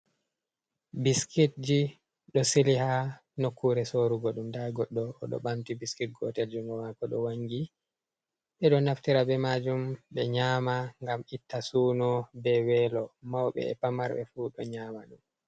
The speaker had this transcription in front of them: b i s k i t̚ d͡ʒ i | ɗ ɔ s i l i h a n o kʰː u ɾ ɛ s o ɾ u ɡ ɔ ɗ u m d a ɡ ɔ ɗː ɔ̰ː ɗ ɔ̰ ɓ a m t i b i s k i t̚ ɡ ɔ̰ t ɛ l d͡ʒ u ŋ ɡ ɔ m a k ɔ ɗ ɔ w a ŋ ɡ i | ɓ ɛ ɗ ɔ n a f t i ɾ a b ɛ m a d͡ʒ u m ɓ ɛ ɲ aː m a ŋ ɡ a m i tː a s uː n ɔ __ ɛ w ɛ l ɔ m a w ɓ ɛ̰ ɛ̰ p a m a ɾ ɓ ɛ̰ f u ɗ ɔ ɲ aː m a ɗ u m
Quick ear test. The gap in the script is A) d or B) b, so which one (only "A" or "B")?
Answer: B